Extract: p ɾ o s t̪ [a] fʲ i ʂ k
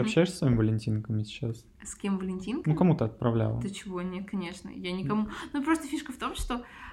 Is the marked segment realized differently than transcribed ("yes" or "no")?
yes